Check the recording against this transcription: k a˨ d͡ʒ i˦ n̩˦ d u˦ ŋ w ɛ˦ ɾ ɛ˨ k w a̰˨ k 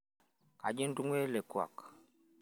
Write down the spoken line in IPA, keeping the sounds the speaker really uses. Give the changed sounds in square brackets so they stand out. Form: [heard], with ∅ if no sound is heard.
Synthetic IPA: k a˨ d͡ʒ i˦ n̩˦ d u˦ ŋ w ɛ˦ [l] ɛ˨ k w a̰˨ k